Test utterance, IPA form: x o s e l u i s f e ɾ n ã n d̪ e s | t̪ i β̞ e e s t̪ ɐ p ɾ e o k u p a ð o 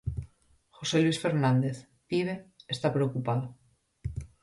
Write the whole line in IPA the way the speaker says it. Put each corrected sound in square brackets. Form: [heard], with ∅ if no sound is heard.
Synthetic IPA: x o s e l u i s f e ɾ n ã n d̪ e [θ] | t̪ i β̞ e e s t̪ [a] p ɾ e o k u p a ð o